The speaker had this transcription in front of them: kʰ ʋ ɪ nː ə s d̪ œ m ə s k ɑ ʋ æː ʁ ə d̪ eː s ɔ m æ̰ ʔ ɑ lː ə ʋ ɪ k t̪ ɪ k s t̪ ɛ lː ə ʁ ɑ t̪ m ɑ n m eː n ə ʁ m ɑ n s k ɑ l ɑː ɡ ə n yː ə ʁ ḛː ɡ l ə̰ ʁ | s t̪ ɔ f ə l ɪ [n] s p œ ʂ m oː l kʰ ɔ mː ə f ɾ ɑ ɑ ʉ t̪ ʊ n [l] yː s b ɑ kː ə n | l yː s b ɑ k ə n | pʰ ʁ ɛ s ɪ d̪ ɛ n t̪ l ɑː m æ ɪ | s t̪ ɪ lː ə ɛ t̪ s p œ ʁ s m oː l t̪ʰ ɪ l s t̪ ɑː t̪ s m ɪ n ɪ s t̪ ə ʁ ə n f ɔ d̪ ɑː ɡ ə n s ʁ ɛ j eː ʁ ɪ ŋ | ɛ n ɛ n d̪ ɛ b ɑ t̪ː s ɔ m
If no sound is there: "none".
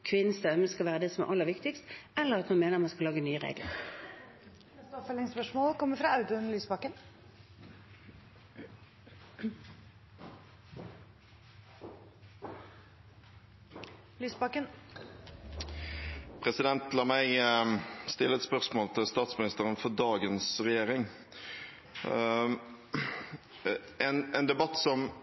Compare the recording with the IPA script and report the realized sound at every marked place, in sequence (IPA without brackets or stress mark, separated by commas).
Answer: ŋ, l